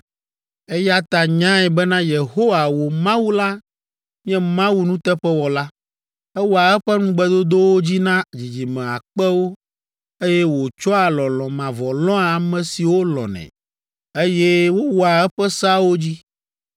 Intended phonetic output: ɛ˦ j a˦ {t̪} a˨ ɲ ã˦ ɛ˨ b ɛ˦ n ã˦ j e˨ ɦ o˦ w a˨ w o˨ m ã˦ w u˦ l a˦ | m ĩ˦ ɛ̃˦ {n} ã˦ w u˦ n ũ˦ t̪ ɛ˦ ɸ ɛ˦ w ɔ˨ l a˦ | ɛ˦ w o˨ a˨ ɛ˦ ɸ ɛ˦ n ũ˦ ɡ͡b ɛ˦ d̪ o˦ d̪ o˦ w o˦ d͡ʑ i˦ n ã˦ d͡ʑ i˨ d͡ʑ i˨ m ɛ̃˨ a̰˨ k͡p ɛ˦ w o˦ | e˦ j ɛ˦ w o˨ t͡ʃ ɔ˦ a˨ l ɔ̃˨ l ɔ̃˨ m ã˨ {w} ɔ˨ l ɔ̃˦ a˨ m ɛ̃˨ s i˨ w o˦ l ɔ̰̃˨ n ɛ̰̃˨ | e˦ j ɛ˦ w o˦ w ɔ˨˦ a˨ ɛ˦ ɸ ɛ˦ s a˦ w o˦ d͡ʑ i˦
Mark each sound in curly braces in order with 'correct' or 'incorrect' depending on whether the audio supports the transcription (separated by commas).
correct, incorrect, incorrect